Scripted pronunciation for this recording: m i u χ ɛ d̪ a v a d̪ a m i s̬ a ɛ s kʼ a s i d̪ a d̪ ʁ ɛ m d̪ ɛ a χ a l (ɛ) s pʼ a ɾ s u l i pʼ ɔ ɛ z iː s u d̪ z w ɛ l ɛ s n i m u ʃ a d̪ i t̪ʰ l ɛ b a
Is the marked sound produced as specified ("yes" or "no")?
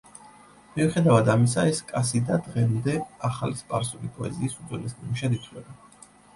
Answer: no